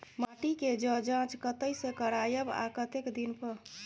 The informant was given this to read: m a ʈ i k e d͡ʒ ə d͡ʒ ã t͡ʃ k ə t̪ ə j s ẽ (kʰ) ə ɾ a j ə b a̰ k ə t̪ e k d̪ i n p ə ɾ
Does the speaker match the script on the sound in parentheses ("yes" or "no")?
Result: no